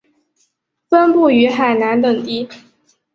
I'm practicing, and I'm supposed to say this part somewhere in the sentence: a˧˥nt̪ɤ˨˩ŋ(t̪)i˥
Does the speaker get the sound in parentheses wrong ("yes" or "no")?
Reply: no